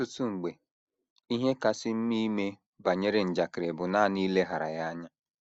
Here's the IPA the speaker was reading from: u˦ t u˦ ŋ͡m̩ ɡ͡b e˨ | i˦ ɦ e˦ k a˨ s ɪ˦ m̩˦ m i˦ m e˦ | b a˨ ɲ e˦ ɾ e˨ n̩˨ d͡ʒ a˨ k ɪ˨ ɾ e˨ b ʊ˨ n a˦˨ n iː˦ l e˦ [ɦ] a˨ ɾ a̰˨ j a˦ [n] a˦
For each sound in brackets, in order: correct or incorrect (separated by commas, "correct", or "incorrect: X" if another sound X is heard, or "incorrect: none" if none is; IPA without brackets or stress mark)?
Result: correct, incorrect: ɲ